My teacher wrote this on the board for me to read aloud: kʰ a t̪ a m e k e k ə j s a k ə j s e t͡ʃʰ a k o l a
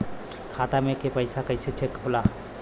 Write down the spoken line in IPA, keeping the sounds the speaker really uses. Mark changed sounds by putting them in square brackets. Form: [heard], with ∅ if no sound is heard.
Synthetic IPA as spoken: kʰ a t̪ a m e k e [p] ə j s a k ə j s e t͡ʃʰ [e] k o l a